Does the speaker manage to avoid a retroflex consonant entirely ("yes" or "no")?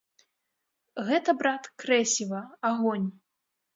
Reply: yes